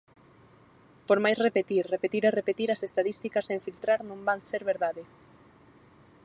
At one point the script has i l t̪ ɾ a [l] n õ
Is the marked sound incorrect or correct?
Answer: incorrect